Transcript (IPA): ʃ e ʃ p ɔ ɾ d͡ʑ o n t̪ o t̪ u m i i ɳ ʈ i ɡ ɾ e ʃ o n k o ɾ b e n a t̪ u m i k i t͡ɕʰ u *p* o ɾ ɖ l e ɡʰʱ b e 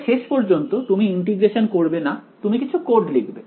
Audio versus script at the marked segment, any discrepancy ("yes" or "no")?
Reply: yes